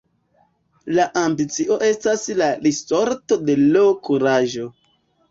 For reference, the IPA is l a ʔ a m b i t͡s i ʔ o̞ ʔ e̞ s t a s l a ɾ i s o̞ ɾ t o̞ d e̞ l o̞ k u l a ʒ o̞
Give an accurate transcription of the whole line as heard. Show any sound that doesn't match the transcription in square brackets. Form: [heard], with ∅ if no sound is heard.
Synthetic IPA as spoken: l a ʔ a m b i t͡s i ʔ o̞ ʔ e̞ s t a s l a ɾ i s o̞ ɾ t o̞ d e̞ l o̞ k u [ɾ] a ʒ o̞